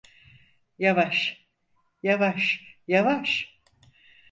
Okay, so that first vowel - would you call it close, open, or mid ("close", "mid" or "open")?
open